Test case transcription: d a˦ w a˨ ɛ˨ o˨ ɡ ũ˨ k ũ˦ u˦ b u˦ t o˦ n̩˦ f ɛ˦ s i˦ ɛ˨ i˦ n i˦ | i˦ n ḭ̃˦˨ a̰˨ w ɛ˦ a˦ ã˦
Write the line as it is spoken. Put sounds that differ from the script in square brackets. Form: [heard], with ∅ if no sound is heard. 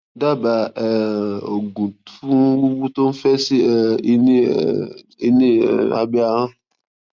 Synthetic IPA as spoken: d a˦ [b] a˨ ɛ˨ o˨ ɡ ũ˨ [t] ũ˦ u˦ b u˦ t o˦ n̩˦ f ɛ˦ s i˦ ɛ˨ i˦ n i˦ | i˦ n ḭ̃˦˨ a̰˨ [b] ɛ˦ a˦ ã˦